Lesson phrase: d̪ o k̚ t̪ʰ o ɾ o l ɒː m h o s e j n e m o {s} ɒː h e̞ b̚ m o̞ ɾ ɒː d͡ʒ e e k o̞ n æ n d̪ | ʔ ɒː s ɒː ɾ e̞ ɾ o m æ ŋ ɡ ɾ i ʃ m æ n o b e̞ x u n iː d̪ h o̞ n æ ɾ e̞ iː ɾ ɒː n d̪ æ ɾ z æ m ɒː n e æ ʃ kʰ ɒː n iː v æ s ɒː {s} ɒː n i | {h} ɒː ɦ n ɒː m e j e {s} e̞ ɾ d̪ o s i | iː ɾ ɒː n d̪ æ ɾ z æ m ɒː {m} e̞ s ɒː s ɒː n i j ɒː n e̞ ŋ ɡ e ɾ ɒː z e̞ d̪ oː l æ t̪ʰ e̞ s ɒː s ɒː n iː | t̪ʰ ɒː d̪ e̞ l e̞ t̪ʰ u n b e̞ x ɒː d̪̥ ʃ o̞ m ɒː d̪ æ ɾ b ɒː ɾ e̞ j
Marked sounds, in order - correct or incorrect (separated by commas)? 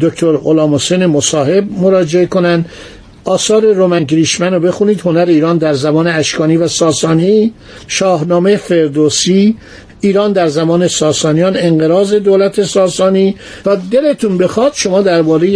correct, correct, incorrect, incorrect, incorrect